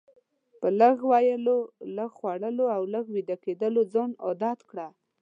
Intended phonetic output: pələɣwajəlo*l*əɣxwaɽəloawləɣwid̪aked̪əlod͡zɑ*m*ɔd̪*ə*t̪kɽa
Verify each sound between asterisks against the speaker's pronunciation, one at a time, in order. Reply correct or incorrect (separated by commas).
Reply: correct, incorrect, incorrect